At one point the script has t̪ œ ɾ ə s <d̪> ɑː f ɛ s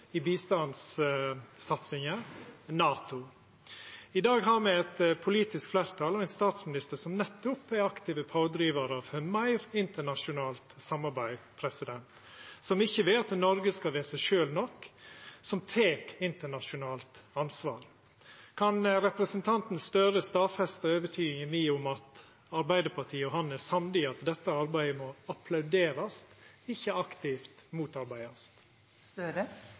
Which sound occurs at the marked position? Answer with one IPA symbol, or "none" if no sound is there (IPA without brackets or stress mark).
t̪